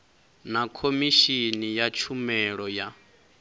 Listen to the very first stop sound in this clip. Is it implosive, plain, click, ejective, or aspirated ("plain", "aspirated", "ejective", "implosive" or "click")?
aspirated